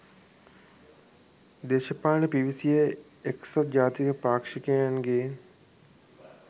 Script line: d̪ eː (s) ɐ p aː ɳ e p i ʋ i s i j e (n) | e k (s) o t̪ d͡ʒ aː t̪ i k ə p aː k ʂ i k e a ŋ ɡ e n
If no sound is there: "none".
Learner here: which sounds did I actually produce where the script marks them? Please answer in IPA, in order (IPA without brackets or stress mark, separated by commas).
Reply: ʃ, none, s